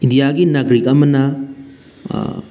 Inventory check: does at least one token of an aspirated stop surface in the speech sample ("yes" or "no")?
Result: no